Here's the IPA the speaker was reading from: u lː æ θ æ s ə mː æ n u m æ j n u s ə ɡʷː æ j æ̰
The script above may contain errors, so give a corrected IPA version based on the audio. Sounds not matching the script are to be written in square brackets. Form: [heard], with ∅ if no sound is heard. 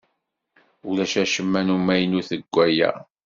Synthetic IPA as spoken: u [l] æ [ʃ] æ [ʃ] ə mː æ n u m æ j n u [θ] ə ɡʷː æ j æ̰